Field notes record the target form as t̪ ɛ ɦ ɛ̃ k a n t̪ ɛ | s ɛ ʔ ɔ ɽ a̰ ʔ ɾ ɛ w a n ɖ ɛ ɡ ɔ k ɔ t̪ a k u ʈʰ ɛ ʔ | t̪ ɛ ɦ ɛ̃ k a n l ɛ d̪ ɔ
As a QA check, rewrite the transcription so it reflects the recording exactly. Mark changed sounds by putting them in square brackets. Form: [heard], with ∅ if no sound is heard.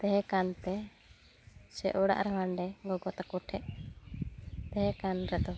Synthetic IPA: t̪ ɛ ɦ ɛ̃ k a n t̪ ɛ | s ɛ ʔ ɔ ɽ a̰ ʔ ɾ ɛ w a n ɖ ɛ ɡ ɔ [ɡ] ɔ t̪ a k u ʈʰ ɛ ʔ | t̪ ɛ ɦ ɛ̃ k a n [ɾ] ɛ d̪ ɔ

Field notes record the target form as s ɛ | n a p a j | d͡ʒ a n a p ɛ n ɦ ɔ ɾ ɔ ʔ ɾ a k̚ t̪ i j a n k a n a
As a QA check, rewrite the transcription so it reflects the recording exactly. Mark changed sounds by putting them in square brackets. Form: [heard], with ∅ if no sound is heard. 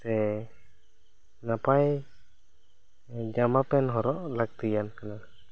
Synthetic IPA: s ɛ | n a p a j | d͡ʒ a [m] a p ɛ n ɦ ɔ ɾ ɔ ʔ [l] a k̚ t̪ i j a n k a n a

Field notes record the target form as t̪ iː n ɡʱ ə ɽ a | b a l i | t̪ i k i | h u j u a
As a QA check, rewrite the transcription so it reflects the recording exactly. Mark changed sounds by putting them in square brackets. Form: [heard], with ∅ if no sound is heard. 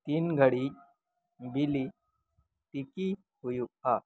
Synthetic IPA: t̪ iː n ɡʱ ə ɽ [i] | b [i] l i | t̪ i k i | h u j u a

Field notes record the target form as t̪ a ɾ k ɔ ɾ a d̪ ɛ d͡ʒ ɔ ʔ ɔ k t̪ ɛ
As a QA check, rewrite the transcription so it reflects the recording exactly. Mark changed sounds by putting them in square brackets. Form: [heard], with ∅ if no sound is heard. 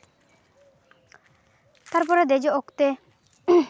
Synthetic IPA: t̪ a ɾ [p] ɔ ɾ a d̪ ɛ d͡ʒ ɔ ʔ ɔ k t̪ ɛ

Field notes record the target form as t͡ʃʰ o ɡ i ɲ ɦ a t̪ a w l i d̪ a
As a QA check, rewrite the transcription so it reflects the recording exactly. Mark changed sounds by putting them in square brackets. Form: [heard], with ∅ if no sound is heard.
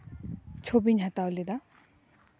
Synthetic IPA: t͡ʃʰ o [b] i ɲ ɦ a t̪ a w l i d̪ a

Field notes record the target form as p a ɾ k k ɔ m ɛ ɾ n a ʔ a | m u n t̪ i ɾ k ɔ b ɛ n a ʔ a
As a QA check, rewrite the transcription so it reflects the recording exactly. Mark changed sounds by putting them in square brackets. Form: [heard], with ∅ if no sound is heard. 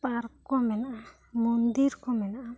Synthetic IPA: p a ɾ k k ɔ m ɛ [∅] n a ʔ a | m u n [d̪] i ɾ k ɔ [m] ɛ n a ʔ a

